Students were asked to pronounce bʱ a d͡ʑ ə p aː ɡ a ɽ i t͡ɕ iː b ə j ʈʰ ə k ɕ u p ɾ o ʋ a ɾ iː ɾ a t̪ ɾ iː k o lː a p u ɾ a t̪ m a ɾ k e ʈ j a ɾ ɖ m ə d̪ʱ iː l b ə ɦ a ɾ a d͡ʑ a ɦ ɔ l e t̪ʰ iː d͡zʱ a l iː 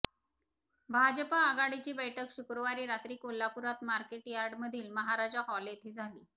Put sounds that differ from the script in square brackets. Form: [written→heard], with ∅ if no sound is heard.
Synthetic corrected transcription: bʱ a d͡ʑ ə p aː ɡ a ɽ i t͡ɕ iː b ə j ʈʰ ə k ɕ u [p→k] ɾ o ʋ a ɾ iː ɾ a t̪ ɾ iː k o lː a p u ɾ a t̪ m a ɾ k e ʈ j a ɾ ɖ m ə d̪ʱ iː l [b→m] ə ɦ a ɾ a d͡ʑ a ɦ ɔ l e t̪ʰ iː d͡zʱ a l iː